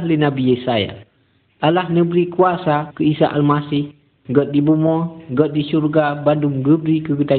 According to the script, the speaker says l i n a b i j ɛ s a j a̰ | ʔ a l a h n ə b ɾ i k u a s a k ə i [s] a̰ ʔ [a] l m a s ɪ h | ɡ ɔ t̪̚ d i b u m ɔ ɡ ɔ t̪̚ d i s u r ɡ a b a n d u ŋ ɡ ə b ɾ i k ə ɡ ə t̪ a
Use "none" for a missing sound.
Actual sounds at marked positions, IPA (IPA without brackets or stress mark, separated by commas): s, a